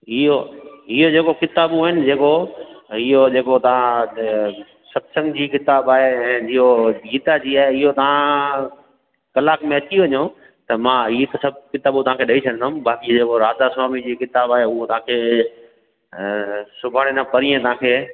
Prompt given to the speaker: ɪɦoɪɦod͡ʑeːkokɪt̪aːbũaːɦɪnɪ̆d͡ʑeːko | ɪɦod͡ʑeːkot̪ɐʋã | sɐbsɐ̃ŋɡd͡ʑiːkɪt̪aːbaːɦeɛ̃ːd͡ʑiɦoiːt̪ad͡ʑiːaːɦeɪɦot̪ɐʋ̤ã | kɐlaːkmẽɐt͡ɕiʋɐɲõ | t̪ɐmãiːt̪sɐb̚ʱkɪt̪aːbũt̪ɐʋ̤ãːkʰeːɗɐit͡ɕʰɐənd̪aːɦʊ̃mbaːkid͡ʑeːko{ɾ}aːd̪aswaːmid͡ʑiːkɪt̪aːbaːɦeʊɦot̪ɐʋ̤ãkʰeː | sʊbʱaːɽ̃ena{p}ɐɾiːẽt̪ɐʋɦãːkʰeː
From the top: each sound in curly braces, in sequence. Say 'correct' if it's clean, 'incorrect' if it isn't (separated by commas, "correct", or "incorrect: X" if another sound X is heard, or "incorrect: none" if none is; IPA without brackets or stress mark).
correct, correct